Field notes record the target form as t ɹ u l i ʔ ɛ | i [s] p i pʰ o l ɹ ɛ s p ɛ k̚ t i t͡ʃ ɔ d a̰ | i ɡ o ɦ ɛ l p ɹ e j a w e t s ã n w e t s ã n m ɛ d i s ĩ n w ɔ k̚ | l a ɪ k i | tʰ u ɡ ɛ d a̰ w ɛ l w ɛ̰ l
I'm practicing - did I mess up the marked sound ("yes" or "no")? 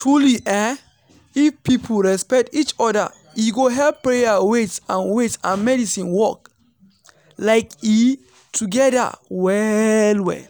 yes